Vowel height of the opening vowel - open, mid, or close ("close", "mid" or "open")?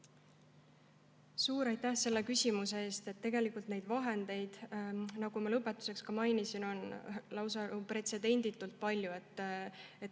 close